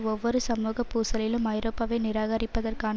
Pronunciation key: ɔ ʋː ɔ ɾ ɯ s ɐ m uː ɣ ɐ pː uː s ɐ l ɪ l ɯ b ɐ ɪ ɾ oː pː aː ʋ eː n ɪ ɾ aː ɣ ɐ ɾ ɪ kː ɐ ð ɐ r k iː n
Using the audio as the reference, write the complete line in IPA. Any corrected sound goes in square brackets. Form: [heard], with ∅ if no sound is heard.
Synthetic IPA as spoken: ɔ ʋː ɔ ɾ ɯ s ɐ m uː ɣ ɐ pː uː s ɐ l ɪ l ɯ [m] ɐ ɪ ɾ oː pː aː ʋ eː n ɪ ɾ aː ɣ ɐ ɾ ɪ [pː] ɐ ð ɐ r k [aː] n